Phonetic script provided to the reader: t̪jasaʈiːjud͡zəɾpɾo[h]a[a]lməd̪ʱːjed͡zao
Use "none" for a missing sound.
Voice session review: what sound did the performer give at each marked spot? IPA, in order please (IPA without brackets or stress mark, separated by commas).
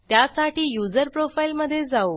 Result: f, i